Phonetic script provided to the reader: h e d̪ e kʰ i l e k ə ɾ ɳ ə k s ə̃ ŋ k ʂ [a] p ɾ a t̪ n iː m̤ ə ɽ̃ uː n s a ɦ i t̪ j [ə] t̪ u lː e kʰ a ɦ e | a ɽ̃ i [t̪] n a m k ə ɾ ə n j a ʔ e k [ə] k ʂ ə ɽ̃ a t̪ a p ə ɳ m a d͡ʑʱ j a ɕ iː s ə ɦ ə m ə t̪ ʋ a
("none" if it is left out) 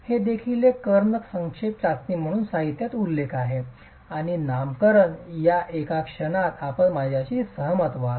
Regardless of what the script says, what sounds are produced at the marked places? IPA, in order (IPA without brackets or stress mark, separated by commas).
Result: e, a, none, a